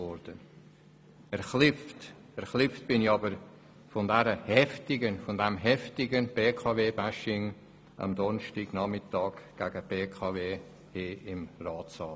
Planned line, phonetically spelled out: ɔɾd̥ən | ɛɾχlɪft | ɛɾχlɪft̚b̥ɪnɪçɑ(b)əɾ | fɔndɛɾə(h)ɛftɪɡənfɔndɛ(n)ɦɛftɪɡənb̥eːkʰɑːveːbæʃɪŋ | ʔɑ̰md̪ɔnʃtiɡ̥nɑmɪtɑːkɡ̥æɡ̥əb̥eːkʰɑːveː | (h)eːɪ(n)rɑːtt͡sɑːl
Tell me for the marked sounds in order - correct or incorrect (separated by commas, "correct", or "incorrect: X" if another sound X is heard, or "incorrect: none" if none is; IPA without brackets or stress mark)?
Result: correct, correct, incorrect: m, correct, incorrect: m